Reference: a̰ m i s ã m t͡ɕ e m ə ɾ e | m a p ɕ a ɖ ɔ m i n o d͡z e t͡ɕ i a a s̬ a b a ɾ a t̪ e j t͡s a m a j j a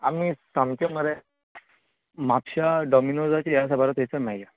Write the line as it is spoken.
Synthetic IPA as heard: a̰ m i s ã m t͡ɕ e m ə ɾ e | m a p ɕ a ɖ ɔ m i n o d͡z a t͡ɕ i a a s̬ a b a ɾ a t̪ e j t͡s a m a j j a